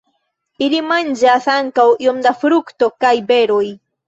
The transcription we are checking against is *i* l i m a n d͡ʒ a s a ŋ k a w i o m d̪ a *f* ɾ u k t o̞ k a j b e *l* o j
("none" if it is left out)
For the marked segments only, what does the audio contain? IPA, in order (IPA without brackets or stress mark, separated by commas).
i, f, ɾ